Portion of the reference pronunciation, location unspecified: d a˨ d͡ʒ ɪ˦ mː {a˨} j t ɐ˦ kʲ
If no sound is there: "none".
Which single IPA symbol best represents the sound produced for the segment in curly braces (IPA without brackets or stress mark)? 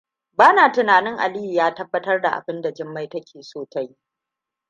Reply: a˦